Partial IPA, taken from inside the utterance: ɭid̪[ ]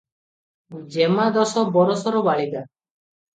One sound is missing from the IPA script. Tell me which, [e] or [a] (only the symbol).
a